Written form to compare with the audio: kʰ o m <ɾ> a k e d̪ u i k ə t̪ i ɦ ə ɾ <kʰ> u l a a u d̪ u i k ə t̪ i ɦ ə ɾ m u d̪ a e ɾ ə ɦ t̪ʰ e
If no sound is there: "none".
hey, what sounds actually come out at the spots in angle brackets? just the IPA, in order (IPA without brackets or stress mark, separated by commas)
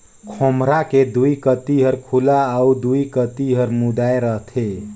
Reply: ɾ, kʰ